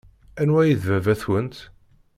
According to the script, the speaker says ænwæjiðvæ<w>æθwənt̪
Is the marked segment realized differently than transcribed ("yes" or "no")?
yes